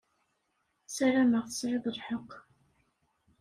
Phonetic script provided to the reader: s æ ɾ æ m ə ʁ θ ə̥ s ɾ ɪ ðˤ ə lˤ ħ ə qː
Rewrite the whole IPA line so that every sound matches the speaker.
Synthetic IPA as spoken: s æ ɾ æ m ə ʁ θ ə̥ s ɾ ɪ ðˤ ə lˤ ħ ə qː